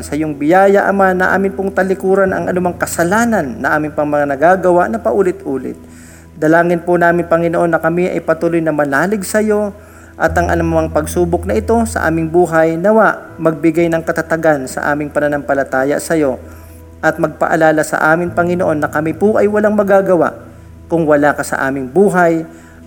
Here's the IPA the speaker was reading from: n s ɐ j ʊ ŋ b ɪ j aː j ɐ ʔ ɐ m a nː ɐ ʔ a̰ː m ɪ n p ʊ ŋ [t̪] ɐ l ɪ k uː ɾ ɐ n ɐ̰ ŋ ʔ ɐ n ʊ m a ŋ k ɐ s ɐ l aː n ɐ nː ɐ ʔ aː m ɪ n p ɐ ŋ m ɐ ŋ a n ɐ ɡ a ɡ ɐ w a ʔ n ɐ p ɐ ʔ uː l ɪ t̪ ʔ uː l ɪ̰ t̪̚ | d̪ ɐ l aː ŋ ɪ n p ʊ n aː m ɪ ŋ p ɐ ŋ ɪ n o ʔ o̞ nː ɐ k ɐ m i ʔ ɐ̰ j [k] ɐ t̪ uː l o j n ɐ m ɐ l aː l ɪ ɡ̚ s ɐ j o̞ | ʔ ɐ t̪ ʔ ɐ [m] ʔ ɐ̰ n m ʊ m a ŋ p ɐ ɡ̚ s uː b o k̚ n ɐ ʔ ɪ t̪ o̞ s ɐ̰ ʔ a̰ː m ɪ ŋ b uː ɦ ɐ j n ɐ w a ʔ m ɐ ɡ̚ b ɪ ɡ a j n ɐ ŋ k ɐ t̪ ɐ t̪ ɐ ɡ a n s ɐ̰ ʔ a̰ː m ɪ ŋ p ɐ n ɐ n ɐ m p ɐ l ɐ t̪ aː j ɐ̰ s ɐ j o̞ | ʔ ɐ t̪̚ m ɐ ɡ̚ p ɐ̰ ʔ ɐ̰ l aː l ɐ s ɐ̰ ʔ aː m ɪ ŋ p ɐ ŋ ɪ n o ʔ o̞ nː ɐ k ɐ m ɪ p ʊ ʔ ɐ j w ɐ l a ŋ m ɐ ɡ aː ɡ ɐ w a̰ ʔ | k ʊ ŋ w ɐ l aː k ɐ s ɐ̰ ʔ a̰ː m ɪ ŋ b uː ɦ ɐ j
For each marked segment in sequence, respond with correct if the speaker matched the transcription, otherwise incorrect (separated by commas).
correct, incorrect, incorrect